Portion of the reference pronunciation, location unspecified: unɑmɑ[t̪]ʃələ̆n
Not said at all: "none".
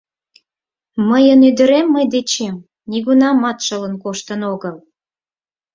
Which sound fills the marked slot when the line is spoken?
t̪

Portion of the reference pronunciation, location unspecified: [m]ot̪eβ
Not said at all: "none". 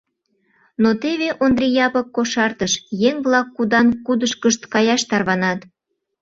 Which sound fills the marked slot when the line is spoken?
n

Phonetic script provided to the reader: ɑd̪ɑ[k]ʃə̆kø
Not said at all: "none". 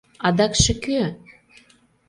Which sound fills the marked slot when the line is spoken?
k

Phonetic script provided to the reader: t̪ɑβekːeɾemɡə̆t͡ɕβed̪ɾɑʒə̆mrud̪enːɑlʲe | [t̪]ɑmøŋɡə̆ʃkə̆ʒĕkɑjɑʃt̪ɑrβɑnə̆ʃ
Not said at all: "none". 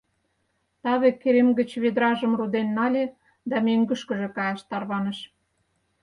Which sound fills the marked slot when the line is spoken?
d̪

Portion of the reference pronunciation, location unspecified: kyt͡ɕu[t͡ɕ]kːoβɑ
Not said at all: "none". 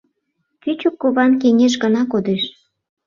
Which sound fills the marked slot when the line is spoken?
none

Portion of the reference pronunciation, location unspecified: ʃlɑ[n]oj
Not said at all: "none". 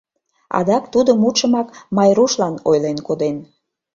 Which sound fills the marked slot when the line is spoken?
n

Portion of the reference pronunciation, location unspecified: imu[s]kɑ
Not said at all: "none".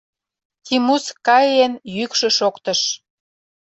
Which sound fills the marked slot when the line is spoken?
s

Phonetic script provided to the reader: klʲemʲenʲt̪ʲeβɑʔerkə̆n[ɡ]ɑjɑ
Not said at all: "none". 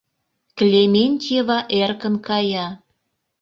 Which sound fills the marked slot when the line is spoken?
k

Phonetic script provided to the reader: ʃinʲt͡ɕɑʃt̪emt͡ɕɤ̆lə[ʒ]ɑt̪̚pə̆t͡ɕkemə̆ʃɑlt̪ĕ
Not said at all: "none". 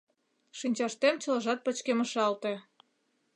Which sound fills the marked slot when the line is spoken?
ʒ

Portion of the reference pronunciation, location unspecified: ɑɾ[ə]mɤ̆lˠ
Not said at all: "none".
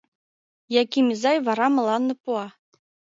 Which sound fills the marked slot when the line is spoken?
ɑ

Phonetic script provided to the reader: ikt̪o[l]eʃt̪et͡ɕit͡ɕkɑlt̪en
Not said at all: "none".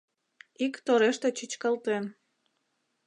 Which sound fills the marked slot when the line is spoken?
ɾ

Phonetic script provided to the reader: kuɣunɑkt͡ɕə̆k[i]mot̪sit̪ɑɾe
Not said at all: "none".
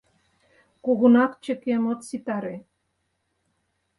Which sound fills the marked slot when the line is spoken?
e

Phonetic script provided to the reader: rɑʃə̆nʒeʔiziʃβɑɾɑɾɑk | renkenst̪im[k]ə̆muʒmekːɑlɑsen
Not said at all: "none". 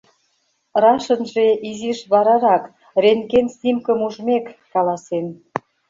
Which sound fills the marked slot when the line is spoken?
k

